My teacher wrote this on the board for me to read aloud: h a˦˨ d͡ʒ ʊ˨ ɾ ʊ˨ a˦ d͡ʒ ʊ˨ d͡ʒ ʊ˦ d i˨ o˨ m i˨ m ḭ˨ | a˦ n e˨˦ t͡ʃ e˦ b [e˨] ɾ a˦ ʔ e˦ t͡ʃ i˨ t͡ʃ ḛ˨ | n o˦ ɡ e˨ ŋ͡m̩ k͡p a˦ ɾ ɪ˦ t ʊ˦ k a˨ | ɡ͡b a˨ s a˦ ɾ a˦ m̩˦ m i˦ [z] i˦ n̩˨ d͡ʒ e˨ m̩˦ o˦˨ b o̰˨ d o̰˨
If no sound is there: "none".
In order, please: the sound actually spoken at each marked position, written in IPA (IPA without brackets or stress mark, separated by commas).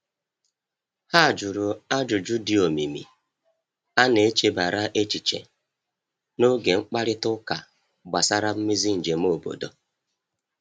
a˨, z